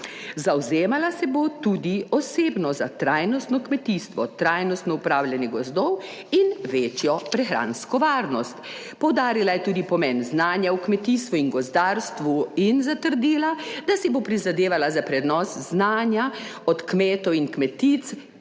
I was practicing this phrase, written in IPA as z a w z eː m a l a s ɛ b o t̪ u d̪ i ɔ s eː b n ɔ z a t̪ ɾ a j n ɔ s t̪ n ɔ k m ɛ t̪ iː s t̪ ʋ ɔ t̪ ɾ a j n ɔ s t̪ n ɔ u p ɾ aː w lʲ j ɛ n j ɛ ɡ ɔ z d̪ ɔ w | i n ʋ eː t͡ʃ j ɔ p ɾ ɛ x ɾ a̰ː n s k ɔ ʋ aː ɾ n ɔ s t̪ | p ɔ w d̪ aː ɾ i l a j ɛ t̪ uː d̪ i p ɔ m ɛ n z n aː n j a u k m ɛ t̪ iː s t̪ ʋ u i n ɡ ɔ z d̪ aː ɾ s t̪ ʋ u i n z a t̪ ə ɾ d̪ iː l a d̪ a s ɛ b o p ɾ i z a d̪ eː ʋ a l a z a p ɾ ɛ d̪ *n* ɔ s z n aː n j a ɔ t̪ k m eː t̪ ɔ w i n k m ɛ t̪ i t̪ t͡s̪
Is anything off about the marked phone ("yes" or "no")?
no